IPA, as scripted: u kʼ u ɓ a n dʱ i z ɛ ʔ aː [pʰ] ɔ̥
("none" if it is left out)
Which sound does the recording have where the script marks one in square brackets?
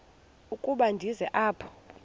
pʰ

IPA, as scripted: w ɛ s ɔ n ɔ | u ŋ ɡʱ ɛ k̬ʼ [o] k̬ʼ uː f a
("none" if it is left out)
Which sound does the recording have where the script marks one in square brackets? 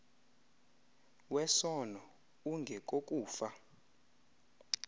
o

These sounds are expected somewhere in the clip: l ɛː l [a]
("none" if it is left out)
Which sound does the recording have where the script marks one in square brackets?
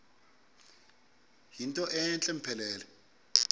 ɛ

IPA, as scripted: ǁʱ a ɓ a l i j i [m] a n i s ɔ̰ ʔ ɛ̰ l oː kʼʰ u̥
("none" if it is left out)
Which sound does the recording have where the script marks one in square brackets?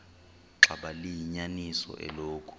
ɲ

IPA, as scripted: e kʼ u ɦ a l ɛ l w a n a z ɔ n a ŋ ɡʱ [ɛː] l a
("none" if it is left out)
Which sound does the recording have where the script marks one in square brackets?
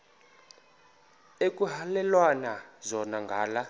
aː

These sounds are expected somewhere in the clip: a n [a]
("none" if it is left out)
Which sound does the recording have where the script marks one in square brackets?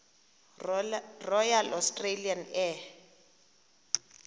ɛ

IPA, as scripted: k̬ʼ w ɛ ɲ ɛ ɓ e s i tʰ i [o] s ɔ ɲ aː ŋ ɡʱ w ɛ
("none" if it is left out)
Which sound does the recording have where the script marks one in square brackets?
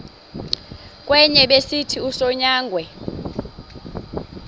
u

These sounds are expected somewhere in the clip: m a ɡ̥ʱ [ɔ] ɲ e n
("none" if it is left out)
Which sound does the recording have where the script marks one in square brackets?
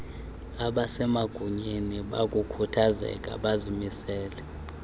u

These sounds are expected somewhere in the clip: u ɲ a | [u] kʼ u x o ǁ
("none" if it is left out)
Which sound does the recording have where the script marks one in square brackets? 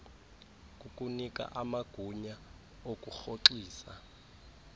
o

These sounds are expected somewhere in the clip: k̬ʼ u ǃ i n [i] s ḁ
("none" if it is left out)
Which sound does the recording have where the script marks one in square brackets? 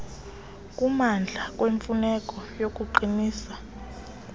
iː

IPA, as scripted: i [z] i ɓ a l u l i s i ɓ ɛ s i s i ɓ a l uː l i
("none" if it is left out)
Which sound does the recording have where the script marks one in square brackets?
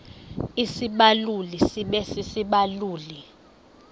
s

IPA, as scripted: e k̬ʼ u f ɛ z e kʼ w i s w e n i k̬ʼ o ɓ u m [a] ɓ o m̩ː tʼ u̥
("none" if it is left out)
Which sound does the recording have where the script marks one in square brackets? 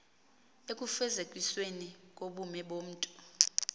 ɛ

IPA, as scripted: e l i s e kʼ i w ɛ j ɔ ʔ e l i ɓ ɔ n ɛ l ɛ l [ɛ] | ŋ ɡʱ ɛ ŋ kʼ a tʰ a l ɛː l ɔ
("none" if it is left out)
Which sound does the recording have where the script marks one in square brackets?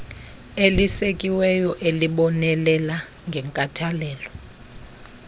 a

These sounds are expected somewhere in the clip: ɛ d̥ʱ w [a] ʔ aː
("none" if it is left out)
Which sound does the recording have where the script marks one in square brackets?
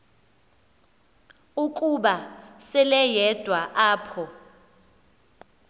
a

